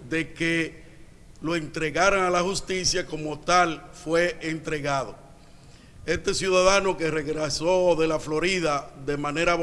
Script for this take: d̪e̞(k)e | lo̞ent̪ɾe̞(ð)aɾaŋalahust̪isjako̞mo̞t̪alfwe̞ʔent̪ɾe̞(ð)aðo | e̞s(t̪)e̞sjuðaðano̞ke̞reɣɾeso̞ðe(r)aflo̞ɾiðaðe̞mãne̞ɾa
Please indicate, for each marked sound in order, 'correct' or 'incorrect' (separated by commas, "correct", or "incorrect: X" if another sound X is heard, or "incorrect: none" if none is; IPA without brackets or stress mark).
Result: correct, incorrect: ɣ, incorrect: ɣ, correct, incorrect: l